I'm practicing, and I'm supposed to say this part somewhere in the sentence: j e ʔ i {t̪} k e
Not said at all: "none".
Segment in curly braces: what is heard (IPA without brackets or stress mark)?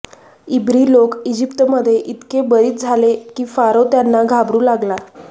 t̪